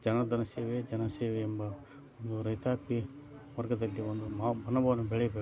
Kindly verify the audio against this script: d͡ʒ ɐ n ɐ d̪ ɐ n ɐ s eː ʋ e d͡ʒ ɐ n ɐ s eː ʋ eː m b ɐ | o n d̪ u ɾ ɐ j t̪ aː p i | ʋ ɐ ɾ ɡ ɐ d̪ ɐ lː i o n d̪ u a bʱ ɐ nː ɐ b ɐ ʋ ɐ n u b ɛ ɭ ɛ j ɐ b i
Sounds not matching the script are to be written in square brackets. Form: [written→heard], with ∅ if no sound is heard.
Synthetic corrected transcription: d͡ʒ ɐ n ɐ d̪ ɐ n ɐ s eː ʋ e d͡ʒ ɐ n ɐ s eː ʋ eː m b ɐ | o n d̪ u ɾ ɐ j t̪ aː p i | ʋ ɐ ɾ ɡ ɐ d̪ ɐ lː i o n d̪ u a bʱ ɐ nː ɐ b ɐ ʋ ɐ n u b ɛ ɭ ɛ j ɐ b [i→e]